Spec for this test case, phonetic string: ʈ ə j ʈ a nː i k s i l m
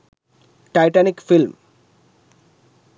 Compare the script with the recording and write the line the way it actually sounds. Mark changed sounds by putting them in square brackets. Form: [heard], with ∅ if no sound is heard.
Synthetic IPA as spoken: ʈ [a] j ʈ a [n] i k [f] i l m